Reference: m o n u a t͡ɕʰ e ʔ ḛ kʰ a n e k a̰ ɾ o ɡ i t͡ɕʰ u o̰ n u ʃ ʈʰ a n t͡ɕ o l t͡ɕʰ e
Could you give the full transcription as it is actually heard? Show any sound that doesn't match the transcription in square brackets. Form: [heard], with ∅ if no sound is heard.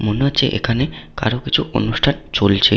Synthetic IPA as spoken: m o n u a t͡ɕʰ e ʔ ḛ kʰ a n e k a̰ ɾ o [k] i t͡ɕʰ u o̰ n u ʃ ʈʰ a n t͡ɕ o l t͡ɕʰ e